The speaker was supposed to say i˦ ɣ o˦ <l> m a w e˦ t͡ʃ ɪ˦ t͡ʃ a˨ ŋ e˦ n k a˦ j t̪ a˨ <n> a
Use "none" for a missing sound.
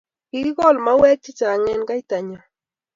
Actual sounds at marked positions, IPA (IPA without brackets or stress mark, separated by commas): l, ɲ